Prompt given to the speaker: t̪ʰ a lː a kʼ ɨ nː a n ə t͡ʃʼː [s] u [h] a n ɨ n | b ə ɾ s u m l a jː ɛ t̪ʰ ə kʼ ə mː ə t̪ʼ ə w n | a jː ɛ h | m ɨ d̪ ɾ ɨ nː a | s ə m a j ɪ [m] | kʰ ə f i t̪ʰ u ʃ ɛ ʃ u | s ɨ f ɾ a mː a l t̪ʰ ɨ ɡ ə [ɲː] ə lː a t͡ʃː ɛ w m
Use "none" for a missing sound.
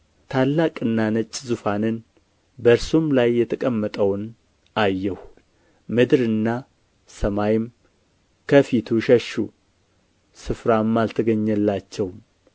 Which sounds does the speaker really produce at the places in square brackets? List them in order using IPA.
z, f, m, ɲː

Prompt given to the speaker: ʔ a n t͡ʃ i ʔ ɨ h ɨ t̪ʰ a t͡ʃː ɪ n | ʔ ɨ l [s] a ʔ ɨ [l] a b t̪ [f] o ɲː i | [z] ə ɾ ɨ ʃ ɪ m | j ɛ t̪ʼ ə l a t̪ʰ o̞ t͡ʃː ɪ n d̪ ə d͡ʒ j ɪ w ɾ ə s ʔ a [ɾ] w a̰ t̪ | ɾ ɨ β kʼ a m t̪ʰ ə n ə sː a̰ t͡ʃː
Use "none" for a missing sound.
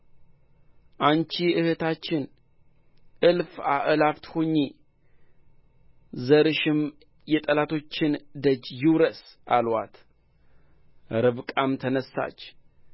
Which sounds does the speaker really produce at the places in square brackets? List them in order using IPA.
f, l, h, z, l

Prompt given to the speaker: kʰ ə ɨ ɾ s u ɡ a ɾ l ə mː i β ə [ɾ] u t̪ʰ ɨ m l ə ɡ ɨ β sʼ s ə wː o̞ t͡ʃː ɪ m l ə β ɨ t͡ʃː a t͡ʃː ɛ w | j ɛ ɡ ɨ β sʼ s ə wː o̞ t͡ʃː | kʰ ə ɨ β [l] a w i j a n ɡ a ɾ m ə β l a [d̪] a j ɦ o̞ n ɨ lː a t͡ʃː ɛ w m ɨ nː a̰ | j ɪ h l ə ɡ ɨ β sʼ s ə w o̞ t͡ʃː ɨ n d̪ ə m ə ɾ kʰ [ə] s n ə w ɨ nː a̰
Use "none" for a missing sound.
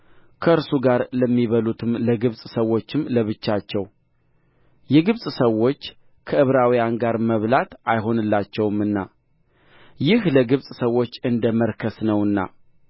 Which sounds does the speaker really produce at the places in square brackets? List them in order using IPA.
l, ɾ, t̪, ə

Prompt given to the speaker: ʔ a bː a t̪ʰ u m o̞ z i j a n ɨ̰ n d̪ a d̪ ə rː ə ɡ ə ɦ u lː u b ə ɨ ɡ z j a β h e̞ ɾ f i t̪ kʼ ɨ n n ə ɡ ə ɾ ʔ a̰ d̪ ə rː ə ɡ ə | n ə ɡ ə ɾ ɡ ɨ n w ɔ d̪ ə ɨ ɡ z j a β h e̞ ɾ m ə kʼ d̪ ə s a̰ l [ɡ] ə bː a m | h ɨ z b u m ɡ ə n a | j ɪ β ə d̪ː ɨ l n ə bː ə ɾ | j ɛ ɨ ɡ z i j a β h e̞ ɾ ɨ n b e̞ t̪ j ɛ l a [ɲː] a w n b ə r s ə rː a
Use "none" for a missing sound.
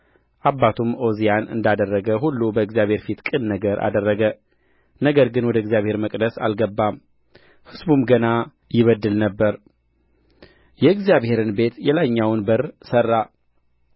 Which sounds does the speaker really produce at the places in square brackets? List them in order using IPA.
ɡ, ɲː

